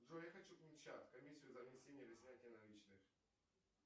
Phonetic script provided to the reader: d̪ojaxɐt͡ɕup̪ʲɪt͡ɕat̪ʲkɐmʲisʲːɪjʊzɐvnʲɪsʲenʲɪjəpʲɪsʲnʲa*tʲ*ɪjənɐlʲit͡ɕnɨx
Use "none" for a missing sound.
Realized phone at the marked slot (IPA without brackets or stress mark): tʲ